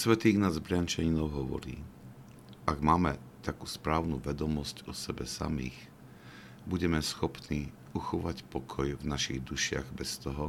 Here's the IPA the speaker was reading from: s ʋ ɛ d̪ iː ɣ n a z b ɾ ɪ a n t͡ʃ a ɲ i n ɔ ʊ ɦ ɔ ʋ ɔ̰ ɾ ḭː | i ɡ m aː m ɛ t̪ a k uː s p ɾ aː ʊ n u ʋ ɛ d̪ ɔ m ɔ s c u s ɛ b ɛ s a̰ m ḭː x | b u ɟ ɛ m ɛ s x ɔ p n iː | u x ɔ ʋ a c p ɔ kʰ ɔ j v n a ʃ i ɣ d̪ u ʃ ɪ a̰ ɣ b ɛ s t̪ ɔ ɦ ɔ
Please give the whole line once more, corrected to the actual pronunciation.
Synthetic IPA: s ʋ ɛ t̪ iː ɣ n a z b ɾ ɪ a n t͡ʃ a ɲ i n ɔ ʊ ɦ ɔ ʋ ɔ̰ ɾ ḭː | a ɡ m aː m ɛ t̪ a k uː s p ɾ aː ʊ n u ʋ ɛ d̪ ɔ m ɔ s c ɔ s ɛ b ɛ s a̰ m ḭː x | b u ɟ ɛ m ɛ s x ɔ p n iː | u x ɔ ʋ a c p ɔ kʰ ɔ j v n a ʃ i ɣ d̪ u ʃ ɪ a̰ ɣ b ɛ s t̪ ɔ ɦ ɔ